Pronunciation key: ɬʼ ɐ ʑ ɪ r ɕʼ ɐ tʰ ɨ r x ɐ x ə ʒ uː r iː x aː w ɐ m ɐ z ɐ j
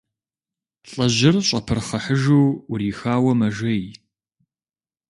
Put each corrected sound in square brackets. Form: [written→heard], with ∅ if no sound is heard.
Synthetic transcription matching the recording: ɬʼ ɐ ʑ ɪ r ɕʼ ɐ [tʰ→pʰ] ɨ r [x→χ] ɐ [x→ħ] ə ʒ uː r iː x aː w ɐ m ɐ [z→ʒ] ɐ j